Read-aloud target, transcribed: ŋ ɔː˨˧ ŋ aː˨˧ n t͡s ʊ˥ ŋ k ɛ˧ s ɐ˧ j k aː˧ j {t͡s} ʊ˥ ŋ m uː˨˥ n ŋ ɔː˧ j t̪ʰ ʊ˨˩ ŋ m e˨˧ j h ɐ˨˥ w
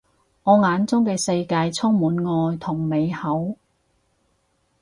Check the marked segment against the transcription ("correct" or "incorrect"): incorrect